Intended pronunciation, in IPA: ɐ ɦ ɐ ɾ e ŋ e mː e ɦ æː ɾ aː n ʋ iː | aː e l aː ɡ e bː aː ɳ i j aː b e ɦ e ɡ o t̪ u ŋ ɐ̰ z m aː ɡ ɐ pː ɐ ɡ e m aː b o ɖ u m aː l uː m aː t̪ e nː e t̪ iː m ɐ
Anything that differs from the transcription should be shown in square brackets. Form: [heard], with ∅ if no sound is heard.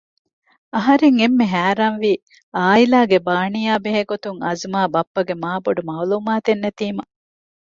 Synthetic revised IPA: ɐ ɦ ɐ ɾ e ŋ e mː e ɦ æː ɾ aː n ʋ iː | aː [i] l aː ɡ e [b] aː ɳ i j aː b e ɦ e ɡ o t̪ u ŋ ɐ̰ z m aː [b] ɐ pː ɐ ɡ e m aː b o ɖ u m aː l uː m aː t̪ e nː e t̪ iː m ɐ